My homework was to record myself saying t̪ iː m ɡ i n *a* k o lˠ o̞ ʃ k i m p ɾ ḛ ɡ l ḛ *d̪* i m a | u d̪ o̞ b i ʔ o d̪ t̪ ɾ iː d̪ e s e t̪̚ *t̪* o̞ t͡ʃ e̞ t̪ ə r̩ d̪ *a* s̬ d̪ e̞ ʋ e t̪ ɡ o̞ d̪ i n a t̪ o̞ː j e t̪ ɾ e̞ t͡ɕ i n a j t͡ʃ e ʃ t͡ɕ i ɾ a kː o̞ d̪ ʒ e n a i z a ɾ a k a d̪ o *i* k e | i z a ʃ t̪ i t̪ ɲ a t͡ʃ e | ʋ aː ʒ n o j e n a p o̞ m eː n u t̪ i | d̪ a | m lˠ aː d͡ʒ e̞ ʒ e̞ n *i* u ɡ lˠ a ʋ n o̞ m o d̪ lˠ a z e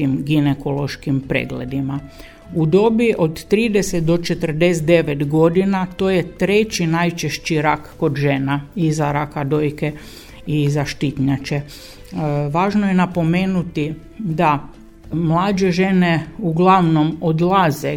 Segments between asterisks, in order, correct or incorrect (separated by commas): incorrect, correct, incorrect, incorrect, incorrect, incorrect